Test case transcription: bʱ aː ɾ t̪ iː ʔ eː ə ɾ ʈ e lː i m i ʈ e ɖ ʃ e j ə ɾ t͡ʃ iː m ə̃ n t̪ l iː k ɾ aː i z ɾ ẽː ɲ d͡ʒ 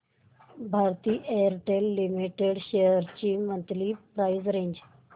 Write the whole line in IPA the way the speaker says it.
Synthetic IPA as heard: bʱ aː ɾ t̪ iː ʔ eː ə ɾ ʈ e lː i m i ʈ e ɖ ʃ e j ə ɾ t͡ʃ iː m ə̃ n t̪ l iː p ɾ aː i z ɾ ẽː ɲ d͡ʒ